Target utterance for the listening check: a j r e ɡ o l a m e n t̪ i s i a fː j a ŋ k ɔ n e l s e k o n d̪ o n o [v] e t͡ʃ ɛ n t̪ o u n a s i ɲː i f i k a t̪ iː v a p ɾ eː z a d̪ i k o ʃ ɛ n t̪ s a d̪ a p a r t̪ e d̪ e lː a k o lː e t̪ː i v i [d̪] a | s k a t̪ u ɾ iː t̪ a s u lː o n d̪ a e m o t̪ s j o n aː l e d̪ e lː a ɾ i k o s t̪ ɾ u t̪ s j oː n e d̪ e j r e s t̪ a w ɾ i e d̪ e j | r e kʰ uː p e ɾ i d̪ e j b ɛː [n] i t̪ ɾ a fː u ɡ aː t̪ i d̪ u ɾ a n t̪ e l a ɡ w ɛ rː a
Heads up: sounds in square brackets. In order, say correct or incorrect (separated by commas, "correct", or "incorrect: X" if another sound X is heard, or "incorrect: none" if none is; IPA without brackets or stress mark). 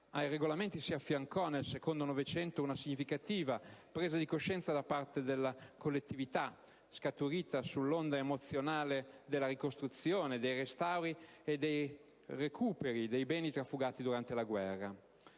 correct, incorrect: t̪, correct